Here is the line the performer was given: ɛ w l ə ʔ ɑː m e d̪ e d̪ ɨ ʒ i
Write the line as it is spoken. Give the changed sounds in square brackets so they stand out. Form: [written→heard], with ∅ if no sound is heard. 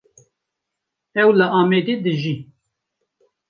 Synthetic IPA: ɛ w l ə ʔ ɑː m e d̪ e d̪ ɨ ʒ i